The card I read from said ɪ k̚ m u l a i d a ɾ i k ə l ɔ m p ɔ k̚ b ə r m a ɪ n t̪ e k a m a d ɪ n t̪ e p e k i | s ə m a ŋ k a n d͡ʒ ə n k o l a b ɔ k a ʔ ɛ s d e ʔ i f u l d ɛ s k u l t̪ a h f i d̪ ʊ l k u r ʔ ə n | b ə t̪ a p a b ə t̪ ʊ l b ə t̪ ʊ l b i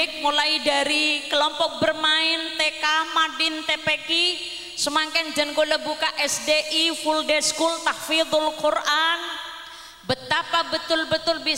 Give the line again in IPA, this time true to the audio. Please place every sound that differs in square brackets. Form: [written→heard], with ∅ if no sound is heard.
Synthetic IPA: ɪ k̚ m u l a i d a ɾ i k ə l ɔ m p ɔ k̚ b ə r m a ɪ n t̪ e k a m a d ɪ n t̪ e p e k i | s ə m a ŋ k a n d͡ʒ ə n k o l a b [ɔ→u] k a ʔ ɛ s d e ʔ i f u l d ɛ s k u l t̪ a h f i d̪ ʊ l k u r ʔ [ə→a] n | b ə t̪ a p a b ə t̪ ʊ l b ə t̪ ʊ l b i